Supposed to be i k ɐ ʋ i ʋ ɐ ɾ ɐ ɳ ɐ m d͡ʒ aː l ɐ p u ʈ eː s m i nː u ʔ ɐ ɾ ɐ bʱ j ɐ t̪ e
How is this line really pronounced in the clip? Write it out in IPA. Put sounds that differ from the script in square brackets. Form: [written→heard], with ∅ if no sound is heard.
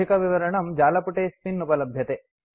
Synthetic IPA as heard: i k ɐ ʋ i ʋ ɐ ɾ ɐ ɳ ɐ m d͡ʒ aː l ɐ p u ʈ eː s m i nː u [ʔ→p] ɐ [ɾ→l] ɐ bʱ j ɐ t̪ e